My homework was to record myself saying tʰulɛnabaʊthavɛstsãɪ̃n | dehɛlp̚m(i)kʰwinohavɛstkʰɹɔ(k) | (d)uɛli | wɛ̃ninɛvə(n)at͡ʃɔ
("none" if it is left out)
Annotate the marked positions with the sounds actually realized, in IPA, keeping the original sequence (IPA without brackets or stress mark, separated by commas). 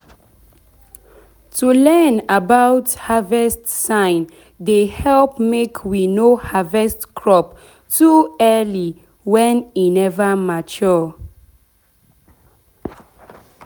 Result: e, p, t, m